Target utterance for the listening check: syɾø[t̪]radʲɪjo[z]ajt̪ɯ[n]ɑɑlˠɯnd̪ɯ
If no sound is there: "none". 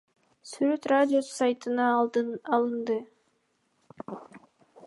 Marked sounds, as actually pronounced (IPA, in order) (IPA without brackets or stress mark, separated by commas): t̪, s, n